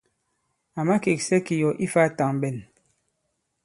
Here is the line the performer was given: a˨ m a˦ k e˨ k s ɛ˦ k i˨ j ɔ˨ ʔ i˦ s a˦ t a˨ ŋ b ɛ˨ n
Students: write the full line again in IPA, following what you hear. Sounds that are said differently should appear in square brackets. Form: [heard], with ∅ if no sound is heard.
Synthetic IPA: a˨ m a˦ k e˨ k s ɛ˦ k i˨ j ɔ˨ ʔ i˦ [f] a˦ t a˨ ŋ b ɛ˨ n